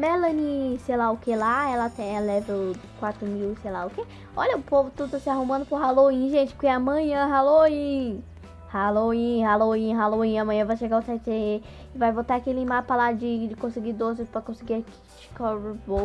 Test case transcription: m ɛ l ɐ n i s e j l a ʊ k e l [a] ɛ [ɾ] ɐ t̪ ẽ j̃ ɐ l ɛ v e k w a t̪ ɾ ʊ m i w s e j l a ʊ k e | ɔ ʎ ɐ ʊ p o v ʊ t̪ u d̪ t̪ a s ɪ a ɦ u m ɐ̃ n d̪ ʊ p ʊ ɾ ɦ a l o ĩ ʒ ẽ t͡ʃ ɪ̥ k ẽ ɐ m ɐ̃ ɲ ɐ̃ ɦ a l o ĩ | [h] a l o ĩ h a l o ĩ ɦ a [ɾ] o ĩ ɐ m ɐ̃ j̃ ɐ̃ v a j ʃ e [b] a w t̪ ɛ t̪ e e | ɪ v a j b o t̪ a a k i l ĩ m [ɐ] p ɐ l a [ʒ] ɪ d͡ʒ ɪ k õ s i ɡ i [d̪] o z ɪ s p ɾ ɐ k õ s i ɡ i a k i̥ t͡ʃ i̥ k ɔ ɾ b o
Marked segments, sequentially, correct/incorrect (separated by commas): correct, incorrect, correct, incorrect, incorrect, incorrect, incorrect, correct